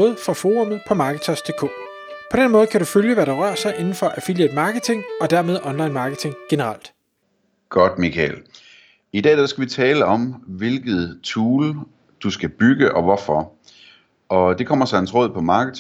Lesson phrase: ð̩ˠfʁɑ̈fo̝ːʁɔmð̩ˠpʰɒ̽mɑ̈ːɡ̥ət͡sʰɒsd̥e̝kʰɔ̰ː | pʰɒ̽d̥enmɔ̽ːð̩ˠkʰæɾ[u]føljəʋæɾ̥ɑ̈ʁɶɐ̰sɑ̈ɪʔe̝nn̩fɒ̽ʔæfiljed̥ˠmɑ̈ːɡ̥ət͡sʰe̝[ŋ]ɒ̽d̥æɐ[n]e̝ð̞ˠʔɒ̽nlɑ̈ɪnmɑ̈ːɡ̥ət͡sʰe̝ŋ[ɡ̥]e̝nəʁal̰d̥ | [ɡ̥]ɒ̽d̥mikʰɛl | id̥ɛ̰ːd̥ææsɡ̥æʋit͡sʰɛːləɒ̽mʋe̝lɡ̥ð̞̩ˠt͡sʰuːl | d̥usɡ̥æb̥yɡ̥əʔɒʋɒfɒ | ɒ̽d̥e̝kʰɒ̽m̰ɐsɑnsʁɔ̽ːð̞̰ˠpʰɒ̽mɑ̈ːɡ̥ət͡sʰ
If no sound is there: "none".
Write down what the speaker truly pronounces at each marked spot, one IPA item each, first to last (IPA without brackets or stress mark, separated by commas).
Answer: u, ŋ, m, ɡ̥, ɡ̥